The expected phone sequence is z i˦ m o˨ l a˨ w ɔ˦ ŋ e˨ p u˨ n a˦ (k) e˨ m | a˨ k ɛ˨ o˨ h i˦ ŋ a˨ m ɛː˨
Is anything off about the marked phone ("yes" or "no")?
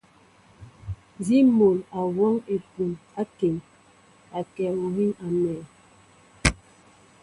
no